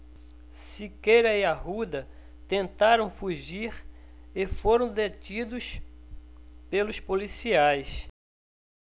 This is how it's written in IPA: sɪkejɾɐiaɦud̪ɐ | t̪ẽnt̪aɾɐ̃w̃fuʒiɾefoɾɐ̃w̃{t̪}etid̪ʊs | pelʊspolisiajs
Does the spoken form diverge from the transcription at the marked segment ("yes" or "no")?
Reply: yes